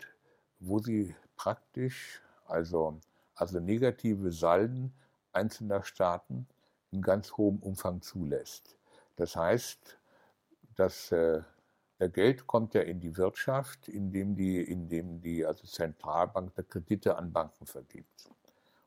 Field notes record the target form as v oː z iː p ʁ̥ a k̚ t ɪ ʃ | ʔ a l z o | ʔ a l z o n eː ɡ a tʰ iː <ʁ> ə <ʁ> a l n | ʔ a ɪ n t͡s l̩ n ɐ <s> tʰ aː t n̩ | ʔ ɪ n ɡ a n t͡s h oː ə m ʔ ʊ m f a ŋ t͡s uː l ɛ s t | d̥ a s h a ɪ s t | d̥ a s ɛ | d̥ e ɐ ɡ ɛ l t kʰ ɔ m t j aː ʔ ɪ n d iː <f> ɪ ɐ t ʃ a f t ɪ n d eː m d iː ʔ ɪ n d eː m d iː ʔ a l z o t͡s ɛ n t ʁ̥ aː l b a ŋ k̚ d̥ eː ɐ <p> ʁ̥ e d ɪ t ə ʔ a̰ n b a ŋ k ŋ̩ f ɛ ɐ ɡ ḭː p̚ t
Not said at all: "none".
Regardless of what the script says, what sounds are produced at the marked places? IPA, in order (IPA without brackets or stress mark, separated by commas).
v, z, ʃ, v, k